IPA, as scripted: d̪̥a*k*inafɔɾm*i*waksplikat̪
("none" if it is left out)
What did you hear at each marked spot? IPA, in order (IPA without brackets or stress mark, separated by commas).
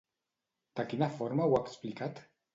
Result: k, a